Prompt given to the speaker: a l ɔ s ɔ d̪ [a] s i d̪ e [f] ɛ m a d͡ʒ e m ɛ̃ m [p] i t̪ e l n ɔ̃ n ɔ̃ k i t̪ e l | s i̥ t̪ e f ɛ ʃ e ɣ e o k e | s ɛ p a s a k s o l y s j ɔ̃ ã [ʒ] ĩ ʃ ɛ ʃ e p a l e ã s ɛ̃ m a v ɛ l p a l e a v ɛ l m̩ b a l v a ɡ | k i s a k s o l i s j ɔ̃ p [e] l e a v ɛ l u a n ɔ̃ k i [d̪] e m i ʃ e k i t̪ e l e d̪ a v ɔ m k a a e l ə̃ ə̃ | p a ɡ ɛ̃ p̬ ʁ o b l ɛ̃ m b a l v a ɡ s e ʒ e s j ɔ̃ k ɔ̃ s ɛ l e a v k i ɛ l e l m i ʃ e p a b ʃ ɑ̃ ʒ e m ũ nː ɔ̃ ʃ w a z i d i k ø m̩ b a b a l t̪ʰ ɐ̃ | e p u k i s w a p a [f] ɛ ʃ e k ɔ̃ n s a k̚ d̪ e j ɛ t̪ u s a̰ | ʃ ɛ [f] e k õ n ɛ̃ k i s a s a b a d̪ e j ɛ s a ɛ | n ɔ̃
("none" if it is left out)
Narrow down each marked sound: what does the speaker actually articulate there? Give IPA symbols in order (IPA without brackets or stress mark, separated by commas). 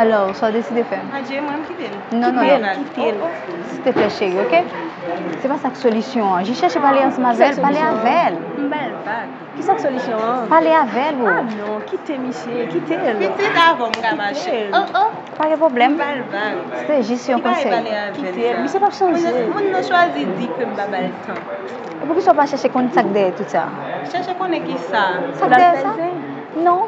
e, f, k, ʒ, a, t̪, ʃ, ʃ